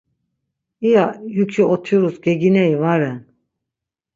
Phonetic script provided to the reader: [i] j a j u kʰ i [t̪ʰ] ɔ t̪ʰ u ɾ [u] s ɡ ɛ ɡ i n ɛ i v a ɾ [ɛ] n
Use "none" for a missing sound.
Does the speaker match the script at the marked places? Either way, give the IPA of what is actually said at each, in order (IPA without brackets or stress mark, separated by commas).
i, none, u, ɛ